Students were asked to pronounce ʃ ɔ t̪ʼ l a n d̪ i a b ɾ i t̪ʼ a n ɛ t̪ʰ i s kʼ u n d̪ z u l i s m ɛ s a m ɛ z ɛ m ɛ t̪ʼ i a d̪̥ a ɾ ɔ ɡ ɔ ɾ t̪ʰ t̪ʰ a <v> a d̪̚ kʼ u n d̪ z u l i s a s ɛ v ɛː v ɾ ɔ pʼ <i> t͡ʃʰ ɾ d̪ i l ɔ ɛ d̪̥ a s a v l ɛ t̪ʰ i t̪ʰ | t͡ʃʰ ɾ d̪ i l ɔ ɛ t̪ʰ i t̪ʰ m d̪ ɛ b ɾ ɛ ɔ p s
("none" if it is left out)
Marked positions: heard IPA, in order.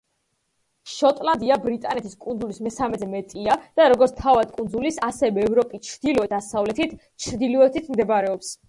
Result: v, i

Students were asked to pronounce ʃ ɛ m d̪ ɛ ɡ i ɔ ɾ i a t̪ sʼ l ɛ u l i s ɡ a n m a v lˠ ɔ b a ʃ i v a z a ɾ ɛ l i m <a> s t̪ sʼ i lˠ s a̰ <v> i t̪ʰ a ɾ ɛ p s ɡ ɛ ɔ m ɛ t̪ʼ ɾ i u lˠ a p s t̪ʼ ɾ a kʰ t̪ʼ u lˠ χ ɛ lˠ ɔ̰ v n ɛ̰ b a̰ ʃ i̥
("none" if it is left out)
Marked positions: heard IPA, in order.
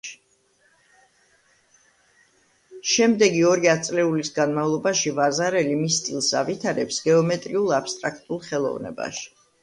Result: i, v

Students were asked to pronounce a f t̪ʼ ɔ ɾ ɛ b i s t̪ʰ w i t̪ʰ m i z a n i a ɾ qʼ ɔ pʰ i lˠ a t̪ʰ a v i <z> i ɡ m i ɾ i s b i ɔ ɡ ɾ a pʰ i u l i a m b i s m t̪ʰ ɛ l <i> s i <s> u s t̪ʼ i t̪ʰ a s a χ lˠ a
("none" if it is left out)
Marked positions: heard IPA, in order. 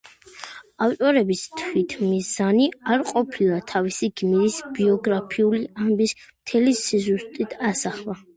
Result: s, i, z

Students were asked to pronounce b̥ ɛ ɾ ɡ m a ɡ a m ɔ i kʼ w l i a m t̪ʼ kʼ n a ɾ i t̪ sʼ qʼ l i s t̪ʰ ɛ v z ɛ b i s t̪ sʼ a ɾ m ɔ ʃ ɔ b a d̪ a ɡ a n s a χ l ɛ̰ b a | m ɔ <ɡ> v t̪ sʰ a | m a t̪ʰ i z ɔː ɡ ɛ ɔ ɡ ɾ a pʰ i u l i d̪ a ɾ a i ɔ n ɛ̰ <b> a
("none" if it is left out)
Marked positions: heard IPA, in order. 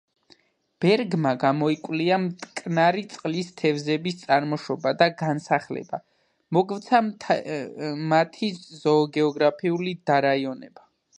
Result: ɡ, b

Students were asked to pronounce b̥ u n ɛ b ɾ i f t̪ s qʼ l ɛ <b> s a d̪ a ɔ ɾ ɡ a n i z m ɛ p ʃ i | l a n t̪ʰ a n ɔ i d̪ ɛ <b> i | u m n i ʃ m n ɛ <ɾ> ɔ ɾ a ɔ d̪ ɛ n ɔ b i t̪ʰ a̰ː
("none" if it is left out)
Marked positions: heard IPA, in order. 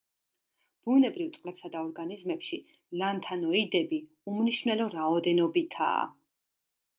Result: p, b, l

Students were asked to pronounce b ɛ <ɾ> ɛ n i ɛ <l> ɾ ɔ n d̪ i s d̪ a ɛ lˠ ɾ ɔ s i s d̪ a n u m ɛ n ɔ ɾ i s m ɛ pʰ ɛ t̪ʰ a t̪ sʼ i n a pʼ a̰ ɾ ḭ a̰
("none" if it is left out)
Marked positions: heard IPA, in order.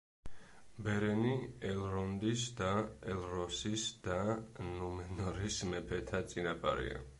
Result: ɾ, l

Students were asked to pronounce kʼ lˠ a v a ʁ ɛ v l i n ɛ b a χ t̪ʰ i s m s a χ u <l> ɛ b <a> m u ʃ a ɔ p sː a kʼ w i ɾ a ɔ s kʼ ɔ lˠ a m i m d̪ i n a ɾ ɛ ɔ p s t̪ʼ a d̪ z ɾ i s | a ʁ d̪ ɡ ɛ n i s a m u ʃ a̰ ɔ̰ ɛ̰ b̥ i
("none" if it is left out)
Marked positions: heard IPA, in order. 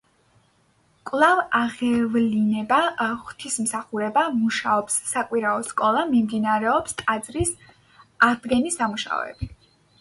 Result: ɾ, a

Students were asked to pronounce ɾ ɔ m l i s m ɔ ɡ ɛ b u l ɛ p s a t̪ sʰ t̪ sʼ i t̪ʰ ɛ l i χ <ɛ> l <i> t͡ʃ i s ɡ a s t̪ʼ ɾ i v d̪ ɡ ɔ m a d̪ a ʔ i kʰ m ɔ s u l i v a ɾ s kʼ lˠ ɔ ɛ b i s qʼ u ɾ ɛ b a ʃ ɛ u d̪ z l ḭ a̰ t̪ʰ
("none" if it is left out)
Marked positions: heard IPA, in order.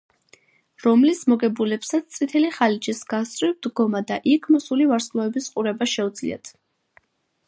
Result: a, i

